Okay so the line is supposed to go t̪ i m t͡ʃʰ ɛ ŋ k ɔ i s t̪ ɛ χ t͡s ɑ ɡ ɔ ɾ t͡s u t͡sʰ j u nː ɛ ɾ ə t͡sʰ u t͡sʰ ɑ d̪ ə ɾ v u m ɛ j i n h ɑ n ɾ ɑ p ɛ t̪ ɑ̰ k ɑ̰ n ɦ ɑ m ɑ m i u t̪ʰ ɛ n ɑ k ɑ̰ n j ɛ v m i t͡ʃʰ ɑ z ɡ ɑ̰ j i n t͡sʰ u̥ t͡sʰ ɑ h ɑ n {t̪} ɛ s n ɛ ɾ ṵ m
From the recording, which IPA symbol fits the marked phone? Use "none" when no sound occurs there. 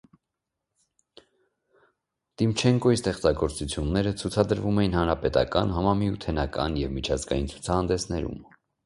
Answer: d̪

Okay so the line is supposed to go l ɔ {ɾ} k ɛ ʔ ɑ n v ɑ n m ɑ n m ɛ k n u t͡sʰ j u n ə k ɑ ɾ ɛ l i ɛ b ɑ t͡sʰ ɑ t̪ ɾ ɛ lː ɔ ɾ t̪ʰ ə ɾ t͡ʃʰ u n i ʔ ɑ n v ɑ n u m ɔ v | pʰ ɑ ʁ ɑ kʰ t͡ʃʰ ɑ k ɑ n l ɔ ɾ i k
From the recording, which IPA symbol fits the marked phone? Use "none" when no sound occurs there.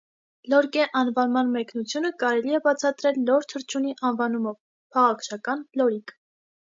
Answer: ɾ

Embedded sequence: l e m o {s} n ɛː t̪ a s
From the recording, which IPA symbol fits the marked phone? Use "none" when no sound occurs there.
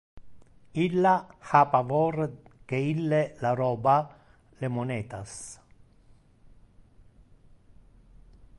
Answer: none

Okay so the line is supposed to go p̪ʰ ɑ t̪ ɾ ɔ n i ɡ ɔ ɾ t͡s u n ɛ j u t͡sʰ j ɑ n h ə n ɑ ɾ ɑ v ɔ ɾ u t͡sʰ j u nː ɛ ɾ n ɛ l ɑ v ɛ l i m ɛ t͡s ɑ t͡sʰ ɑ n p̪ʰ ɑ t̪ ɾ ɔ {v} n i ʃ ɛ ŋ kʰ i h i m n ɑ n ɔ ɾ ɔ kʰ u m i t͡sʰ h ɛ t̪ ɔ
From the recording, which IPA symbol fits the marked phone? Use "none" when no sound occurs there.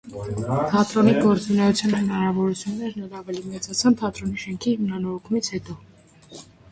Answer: none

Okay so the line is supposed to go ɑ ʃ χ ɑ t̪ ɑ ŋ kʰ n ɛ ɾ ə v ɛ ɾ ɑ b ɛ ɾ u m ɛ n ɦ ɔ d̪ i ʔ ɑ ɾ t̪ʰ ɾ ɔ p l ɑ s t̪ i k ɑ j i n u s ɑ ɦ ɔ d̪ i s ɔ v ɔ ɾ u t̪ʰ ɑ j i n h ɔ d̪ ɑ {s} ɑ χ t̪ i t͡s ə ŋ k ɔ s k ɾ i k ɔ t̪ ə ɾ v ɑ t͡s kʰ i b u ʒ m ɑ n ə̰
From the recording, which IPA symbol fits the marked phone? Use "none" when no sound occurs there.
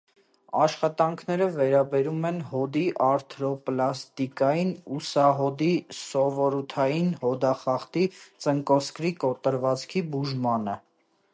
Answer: χ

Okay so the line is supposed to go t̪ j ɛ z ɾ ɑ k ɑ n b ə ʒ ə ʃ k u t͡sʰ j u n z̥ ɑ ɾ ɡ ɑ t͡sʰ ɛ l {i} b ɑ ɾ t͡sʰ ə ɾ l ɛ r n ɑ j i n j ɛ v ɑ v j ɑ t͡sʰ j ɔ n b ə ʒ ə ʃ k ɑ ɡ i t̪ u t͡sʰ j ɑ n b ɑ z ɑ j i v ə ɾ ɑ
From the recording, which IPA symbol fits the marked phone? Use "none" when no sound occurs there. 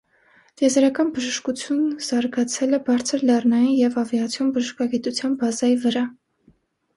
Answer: ɛ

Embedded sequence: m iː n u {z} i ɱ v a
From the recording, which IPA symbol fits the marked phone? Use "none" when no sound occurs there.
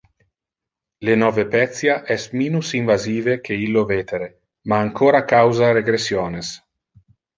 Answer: s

